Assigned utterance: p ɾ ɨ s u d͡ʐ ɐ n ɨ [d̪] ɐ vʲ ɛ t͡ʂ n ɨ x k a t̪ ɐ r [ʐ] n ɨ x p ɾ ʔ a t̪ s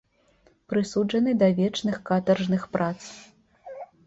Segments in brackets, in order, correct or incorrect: correct, correct

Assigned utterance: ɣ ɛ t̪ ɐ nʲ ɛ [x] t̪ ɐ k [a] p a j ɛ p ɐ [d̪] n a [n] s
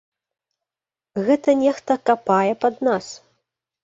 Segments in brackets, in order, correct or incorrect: correct, correct, correct, incorrect

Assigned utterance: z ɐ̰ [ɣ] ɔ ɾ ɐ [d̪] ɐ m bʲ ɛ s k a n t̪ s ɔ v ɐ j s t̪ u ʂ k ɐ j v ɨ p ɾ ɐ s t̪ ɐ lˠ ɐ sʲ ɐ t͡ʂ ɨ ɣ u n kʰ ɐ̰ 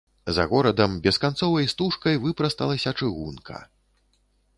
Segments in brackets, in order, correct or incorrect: correct, correct

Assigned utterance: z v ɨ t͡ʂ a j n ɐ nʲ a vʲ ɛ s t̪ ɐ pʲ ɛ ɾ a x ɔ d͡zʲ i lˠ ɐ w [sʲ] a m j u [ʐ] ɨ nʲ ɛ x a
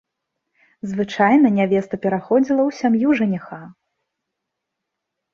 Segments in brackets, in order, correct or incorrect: correct, correct

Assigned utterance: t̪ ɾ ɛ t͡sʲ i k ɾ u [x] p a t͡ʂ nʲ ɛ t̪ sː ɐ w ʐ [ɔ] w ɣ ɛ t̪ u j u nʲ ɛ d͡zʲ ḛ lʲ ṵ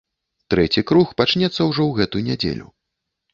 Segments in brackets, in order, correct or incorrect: correct, correct

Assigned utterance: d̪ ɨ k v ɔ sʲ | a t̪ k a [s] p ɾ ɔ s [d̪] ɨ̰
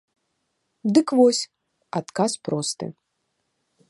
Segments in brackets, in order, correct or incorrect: correct, incorrect

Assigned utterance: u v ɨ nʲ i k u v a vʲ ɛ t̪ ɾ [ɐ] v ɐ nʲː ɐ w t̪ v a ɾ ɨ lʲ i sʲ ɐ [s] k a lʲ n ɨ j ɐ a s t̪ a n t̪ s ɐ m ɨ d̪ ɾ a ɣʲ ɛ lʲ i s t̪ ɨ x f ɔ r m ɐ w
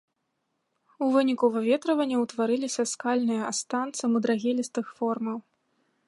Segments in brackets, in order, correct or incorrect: correct, correct

